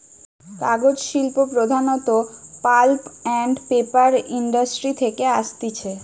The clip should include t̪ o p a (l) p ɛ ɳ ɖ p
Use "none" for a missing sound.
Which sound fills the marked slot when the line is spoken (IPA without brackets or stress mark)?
l